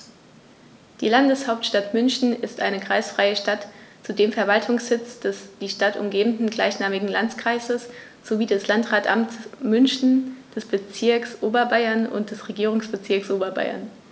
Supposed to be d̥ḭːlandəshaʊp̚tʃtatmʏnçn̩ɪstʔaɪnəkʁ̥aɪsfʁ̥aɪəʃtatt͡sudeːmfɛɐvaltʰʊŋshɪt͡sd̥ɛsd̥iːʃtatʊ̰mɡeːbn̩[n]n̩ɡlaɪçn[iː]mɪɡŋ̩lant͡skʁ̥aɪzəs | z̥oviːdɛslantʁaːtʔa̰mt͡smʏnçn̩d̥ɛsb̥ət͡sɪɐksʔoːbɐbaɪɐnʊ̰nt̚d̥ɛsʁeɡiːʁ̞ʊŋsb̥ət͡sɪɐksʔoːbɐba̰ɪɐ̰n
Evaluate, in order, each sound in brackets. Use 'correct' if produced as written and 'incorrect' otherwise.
incorrect: d, incorrect: aː

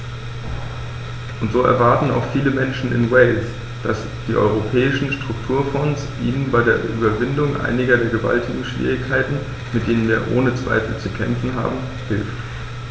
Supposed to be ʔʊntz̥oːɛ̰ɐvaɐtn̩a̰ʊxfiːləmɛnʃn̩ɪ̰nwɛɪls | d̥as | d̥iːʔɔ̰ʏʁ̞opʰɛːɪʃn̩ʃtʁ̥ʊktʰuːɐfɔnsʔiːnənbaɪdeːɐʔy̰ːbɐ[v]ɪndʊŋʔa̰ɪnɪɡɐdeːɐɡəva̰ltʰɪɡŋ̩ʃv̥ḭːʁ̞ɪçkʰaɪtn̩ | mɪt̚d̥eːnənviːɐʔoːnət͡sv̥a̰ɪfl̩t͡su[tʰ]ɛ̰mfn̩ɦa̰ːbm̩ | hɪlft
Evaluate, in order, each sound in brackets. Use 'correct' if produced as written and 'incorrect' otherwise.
correct, incorrect: kʰ

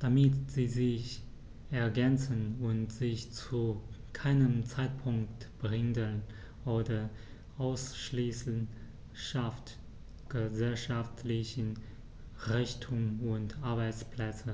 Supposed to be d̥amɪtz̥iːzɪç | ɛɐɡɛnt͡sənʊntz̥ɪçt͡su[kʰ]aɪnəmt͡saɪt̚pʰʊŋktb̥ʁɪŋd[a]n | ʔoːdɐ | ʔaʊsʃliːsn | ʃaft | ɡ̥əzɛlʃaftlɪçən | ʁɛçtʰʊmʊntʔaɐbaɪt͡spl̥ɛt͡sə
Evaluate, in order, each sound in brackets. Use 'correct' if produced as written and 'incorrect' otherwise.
correct, incorrect: ə

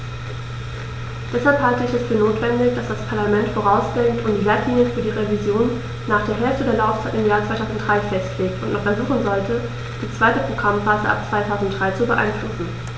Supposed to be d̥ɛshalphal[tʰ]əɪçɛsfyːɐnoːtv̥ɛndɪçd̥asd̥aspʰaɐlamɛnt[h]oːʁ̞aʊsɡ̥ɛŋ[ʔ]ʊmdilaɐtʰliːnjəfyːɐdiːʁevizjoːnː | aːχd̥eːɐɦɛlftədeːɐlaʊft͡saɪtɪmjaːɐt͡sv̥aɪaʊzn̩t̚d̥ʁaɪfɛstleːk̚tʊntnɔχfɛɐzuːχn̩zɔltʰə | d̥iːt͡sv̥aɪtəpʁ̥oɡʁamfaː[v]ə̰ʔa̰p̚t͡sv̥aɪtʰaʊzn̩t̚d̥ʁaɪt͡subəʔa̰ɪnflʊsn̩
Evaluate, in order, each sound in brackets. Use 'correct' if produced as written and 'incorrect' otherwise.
incorrect: t, incorrect: f, incorrect: t, incorrect: z

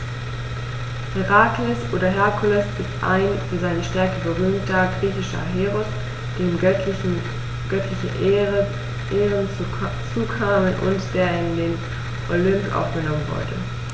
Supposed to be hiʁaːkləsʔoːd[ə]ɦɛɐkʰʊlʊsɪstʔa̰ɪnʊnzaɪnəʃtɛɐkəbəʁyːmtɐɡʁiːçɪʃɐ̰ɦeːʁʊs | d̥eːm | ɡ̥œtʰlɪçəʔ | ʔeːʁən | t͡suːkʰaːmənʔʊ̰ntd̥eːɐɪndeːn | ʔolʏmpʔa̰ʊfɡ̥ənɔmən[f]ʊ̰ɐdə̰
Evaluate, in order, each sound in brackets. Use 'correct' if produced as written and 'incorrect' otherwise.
incorrect: ɐ, incorrect: v

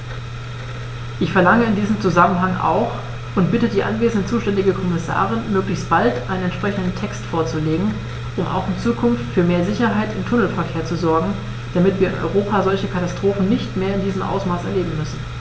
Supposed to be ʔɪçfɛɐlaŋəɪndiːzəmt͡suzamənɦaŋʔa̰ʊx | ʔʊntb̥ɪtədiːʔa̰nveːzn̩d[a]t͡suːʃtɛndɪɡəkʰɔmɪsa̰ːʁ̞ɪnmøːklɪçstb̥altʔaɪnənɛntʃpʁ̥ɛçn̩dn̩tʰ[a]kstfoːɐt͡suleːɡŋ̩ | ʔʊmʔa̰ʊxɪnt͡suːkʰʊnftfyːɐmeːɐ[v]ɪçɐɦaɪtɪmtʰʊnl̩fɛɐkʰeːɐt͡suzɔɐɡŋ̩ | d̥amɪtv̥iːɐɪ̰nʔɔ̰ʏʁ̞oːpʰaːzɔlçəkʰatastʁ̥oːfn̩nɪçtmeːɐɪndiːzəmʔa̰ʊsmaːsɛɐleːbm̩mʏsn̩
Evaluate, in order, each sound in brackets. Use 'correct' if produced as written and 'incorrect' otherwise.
incorrect: ə, incorrect: ɛ, incorrect: z

